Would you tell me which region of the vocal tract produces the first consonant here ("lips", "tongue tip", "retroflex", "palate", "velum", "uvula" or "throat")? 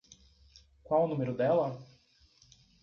velum